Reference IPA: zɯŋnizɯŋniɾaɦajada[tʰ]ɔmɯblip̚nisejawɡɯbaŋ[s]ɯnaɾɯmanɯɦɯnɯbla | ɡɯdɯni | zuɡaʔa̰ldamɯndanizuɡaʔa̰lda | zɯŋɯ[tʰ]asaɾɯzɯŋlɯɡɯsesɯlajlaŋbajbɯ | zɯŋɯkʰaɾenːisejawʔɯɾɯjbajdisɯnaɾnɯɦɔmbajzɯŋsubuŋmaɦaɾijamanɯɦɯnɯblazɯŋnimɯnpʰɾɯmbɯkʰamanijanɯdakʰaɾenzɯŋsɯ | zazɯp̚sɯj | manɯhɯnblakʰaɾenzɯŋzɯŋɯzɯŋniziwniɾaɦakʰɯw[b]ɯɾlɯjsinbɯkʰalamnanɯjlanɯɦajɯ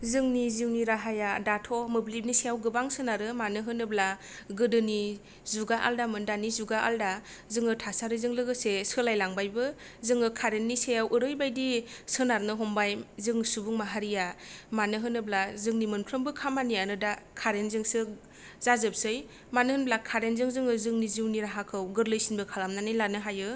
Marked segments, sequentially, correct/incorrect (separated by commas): correct, correct, correct, incorrect